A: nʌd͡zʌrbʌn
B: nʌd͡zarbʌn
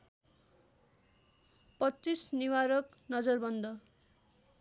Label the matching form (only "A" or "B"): A